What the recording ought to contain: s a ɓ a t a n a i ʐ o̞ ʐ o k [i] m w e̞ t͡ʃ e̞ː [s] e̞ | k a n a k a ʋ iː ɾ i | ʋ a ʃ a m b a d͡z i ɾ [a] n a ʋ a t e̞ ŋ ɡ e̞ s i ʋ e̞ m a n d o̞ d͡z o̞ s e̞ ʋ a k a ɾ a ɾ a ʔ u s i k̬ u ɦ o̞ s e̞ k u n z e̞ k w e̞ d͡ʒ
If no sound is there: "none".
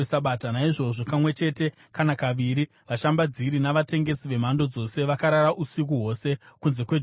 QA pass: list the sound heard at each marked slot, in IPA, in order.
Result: a, t, i

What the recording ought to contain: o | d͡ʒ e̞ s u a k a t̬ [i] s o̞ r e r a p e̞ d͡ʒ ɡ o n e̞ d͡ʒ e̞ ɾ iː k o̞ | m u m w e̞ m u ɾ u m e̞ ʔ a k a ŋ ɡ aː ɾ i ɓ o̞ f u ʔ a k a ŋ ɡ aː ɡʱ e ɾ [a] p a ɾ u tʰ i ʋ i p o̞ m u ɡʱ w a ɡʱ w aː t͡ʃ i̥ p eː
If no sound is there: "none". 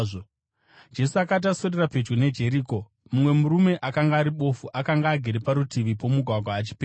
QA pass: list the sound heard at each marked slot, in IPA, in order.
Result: a, e

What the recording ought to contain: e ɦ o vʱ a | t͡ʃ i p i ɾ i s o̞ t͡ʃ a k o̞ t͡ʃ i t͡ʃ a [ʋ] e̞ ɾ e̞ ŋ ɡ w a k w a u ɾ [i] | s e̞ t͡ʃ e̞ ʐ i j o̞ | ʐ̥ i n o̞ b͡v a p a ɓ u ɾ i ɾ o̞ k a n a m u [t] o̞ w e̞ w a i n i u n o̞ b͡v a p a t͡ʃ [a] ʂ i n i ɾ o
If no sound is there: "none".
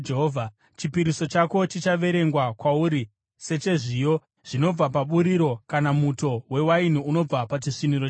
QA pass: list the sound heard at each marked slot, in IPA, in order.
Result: ʋ, i, t, i

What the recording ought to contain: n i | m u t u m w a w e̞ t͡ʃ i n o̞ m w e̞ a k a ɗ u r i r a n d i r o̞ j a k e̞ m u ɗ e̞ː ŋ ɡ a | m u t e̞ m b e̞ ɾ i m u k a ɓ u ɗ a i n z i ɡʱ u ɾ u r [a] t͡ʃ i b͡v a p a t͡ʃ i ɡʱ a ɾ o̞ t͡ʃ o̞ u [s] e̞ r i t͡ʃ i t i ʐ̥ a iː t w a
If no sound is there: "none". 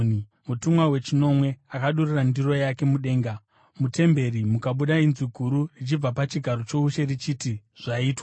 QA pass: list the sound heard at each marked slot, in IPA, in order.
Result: i, ʃ

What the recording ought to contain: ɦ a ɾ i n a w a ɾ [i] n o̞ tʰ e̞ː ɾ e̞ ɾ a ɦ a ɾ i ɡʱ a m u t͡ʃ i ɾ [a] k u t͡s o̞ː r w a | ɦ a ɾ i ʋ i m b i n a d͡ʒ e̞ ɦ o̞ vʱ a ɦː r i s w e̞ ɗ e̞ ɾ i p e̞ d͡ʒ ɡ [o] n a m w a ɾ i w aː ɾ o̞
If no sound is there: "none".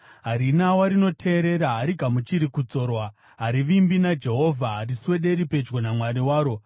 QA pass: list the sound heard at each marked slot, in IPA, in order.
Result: i, i, o

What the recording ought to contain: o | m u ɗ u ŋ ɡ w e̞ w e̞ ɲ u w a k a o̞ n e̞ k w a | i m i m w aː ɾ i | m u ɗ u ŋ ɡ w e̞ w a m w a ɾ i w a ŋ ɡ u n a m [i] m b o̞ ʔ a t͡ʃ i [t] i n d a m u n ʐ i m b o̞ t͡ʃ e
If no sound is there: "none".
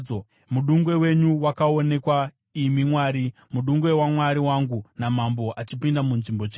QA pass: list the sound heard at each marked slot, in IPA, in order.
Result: a, p

